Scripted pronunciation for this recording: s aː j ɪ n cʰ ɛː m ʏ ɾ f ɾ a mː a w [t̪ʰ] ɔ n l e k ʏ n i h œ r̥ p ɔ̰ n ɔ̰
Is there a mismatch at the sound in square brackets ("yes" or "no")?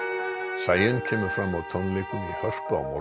no